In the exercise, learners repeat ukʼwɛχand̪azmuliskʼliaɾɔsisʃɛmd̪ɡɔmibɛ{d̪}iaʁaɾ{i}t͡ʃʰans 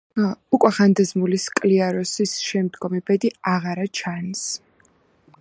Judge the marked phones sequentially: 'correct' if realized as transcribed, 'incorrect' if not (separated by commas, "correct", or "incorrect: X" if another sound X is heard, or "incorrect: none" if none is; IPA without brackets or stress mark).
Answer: correct, incorrect: a